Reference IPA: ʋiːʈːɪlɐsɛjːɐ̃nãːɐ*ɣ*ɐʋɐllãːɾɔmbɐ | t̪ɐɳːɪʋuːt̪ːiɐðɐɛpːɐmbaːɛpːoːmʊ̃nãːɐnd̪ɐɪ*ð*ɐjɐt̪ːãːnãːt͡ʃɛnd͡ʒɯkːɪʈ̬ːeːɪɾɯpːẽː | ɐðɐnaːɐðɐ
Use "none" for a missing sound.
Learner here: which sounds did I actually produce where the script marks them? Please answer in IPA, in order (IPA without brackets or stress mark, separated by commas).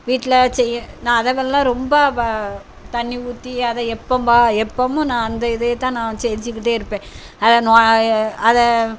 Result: ð, ð